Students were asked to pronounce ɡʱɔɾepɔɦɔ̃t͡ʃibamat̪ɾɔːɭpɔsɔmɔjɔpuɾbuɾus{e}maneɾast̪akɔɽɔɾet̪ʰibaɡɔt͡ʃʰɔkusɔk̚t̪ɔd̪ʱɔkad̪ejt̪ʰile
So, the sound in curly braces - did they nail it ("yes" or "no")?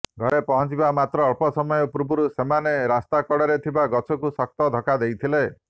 yes